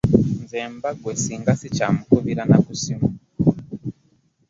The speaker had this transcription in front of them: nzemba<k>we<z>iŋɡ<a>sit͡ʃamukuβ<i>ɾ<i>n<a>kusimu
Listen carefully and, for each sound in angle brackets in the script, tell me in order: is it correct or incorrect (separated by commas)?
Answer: incorrect, incorrect, correct, correct, incorrect, correct